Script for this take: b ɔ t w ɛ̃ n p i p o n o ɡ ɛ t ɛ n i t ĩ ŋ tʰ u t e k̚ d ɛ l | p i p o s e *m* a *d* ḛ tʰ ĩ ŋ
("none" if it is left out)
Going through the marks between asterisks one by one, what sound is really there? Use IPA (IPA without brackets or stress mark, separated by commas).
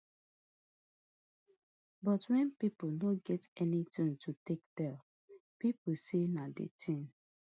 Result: n, d